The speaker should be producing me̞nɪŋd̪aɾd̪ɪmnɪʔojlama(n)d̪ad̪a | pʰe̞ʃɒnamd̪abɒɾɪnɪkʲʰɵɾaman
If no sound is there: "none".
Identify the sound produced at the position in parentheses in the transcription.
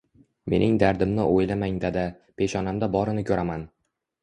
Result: ŋ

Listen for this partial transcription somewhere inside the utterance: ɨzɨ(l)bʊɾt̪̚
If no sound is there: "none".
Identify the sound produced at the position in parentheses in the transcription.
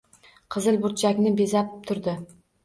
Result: l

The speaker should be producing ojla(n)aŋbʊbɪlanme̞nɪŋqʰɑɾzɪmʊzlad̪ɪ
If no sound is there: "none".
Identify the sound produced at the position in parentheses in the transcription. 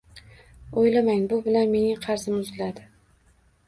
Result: m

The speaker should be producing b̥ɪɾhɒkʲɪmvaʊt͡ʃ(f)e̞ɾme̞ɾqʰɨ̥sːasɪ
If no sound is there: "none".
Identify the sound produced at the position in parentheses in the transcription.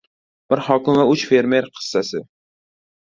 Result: f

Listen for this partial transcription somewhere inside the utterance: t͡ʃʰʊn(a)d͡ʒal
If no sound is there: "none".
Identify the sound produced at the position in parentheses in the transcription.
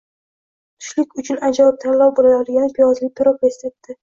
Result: a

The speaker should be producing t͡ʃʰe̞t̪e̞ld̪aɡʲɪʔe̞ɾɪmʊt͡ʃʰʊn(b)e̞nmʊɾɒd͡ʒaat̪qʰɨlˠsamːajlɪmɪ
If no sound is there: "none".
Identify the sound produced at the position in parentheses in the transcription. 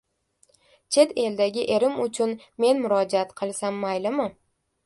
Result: m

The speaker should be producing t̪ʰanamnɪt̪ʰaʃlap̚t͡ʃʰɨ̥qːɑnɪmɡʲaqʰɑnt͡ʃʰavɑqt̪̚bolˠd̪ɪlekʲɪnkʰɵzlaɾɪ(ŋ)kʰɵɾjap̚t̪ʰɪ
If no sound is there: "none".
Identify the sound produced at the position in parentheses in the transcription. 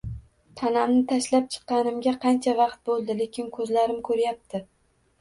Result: m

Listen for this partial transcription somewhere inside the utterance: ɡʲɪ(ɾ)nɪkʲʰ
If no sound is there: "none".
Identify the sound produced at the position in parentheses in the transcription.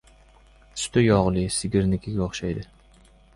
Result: ɾ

